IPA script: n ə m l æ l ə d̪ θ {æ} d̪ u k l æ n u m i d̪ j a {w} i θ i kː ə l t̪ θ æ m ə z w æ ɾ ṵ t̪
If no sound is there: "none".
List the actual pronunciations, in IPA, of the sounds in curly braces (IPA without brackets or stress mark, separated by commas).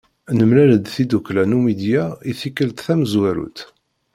i, none